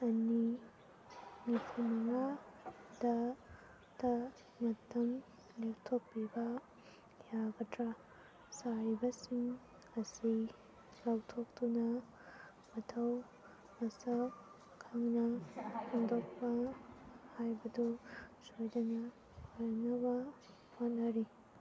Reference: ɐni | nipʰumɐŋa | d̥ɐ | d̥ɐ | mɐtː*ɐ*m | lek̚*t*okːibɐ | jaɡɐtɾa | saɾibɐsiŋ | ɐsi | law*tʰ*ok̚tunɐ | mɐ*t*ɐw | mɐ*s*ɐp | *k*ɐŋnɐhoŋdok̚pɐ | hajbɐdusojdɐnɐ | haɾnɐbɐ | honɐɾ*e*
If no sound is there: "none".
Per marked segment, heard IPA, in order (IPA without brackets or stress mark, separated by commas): ɐ, tʰ, tʰ, tʰ, s, kʰ, i